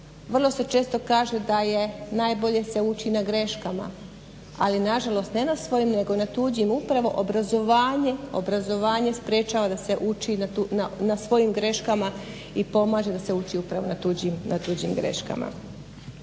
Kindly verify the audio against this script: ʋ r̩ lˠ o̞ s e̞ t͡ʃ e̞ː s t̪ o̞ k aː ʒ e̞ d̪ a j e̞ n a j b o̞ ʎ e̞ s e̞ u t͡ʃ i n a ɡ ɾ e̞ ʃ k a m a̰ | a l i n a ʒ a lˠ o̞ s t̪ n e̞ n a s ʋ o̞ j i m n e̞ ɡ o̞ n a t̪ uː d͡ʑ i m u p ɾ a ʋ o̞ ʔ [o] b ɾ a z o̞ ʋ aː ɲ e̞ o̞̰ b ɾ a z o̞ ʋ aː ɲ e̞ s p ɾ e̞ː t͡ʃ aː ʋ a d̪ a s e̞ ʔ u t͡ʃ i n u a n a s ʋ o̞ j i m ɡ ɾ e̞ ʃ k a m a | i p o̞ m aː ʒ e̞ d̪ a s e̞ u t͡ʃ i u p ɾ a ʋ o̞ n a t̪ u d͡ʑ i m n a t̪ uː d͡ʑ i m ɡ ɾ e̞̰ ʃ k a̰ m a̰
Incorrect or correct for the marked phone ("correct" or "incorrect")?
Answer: correct